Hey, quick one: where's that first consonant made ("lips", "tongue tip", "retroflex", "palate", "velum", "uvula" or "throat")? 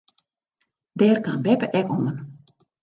tongue tip